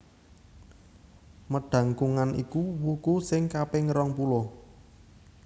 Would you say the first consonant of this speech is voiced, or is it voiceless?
voiced